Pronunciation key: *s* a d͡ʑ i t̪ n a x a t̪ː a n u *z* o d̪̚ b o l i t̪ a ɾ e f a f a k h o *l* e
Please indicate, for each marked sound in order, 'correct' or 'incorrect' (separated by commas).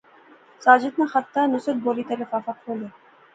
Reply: correct, incorrect, correct